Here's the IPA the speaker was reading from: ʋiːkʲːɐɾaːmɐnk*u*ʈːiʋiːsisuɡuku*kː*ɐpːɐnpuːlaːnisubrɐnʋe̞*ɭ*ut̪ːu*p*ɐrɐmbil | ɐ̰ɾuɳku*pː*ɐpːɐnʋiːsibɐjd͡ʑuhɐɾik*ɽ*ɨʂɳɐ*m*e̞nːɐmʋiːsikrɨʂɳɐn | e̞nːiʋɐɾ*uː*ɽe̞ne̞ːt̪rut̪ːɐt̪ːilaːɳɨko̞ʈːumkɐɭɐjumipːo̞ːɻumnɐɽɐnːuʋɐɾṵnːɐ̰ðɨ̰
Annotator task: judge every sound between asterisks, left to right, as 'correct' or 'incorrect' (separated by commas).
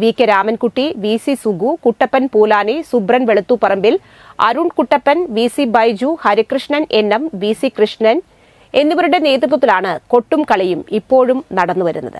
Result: correct, incorrect, correct, correct, incorrect, incorrect, incorrect, incorrect